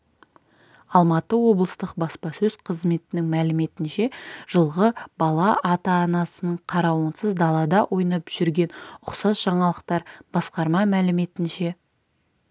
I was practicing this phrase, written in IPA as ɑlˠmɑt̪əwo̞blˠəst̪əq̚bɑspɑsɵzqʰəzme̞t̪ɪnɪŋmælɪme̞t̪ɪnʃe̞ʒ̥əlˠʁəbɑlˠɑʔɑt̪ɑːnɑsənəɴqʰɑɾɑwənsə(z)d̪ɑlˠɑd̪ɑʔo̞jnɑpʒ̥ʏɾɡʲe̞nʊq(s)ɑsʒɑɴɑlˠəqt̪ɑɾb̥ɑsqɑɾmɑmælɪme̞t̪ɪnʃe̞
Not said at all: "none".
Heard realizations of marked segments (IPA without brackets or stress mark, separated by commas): z, s